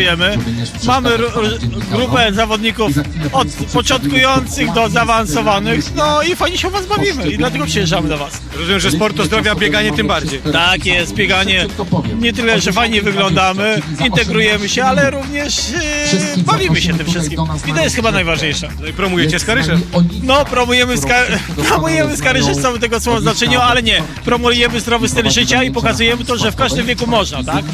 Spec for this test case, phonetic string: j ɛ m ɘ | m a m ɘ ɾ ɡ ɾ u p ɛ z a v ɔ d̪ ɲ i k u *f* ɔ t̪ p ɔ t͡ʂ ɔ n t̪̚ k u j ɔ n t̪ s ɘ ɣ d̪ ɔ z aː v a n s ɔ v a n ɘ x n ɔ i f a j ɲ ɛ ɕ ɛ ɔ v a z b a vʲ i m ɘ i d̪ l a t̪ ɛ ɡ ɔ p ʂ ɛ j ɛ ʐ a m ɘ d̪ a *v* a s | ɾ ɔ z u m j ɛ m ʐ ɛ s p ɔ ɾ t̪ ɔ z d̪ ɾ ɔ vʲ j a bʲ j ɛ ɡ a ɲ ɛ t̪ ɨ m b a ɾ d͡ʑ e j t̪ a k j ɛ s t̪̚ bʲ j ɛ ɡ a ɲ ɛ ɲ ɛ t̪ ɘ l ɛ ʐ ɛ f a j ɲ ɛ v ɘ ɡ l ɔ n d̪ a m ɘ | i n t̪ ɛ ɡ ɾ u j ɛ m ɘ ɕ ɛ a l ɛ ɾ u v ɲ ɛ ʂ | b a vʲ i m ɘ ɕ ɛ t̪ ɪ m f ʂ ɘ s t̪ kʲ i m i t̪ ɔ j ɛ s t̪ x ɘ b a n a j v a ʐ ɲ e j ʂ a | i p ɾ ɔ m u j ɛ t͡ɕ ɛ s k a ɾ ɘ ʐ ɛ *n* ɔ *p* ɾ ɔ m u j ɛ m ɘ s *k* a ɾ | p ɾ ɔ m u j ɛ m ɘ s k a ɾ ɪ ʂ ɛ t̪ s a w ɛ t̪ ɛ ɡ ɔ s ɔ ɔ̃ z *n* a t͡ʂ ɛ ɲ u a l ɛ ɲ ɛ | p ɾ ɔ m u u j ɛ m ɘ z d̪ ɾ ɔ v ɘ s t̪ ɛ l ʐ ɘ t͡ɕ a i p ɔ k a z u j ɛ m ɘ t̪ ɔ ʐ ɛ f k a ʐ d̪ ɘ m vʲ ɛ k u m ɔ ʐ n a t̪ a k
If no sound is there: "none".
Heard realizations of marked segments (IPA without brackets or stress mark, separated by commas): f, v, n, p, k, n